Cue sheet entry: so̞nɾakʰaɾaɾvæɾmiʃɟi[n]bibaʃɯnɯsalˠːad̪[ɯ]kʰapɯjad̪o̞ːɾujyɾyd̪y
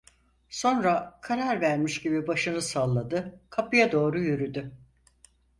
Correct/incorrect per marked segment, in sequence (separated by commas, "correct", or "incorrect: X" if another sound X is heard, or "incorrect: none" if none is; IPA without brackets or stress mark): incorrect: none, correct